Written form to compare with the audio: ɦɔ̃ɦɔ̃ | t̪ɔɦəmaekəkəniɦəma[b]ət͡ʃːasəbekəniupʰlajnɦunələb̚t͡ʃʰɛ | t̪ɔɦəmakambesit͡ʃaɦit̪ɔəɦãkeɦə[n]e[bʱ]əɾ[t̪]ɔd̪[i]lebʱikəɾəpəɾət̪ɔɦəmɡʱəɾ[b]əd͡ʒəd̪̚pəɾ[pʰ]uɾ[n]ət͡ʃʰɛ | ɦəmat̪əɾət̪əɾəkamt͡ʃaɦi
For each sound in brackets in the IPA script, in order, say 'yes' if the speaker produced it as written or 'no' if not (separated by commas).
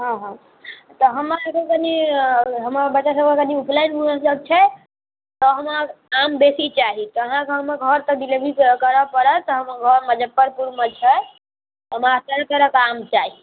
yes, no, no, yes, yes, no, no, no